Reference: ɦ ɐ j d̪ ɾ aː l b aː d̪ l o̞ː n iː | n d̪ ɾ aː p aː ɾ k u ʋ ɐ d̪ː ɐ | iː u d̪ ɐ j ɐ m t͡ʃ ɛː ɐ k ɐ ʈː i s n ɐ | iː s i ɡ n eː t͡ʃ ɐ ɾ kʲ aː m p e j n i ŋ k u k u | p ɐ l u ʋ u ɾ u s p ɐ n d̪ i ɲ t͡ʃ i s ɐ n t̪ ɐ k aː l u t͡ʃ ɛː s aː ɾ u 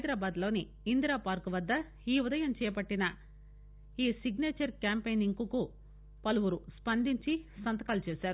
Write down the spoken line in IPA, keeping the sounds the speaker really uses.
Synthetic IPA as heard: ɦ ɐ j d̪ ɾ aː b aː d̪ l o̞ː n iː | n d̪ ɾ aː p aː ɾ k u ʋ ɐ d̪ː ɐ | iː u d̪ ɐ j ɐ m t͡ʃ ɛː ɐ p ɐ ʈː i n ɐ | iː s i ɡ n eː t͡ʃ ɐ ɾ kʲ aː m p e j n i ŋ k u k u | p ɐ l u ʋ u ɾ u s p ɐ n d̪ i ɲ t͡ʃ i s ɐ n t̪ ɐ k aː l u t͡ʃ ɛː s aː ɾ u